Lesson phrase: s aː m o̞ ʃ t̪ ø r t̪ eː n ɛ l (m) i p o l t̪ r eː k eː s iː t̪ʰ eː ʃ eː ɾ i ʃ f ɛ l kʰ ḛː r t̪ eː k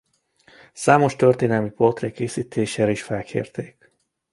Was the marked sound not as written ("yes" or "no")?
no